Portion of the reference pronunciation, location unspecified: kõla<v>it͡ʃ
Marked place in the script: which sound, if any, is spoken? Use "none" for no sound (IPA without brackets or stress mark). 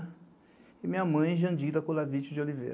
v